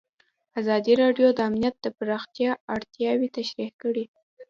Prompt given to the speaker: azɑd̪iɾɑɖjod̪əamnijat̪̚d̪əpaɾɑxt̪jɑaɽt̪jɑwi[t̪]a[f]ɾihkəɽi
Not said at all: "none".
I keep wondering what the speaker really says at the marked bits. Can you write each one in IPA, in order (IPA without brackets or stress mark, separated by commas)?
t̪, ʃ